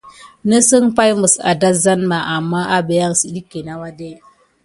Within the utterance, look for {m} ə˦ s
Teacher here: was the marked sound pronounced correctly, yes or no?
no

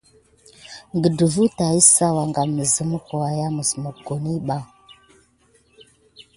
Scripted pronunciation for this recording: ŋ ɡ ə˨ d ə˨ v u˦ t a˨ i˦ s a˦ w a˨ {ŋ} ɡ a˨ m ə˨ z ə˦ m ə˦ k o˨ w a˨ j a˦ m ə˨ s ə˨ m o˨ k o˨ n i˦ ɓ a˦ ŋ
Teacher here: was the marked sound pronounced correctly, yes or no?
yes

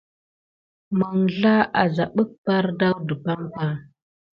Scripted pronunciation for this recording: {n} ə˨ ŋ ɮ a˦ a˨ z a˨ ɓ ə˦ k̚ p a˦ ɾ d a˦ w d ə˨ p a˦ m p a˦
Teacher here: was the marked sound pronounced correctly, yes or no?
no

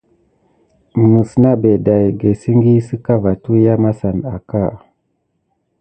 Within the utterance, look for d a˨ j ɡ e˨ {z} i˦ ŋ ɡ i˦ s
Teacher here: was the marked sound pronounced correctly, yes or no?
no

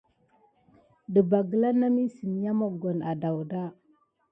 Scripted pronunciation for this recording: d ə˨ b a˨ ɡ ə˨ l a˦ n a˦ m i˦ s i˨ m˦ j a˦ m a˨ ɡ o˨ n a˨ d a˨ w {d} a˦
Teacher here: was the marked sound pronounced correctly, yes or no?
yes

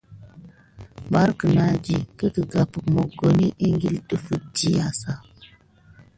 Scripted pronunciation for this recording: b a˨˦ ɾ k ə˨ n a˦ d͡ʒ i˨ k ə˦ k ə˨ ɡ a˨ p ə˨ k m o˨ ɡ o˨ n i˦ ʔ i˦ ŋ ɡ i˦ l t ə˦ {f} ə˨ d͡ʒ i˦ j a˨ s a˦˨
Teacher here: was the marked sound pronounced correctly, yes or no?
yes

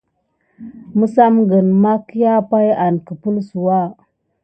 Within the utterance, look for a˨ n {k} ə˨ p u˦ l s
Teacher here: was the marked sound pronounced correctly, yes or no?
yes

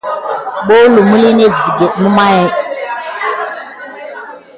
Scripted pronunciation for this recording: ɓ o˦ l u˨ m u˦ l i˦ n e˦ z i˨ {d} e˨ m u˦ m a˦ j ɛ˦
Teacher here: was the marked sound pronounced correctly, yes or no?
no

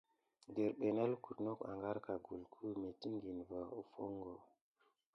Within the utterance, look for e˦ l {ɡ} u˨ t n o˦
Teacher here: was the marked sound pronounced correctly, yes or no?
no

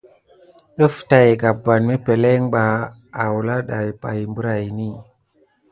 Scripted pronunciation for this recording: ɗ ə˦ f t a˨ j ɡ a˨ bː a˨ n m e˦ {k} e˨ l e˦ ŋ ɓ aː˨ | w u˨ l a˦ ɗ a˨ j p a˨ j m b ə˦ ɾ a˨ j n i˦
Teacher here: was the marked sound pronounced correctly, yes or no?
no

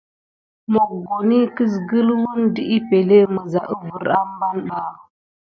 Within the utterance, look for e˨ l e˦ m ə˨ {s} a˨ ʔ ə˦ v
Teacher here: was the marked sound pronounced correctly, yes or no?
no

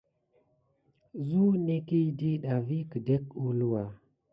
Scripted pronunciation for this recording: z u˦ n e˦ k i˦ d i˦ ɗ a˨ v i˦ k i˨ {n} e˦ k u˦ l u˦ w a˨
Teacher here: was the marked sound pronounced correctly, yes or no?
no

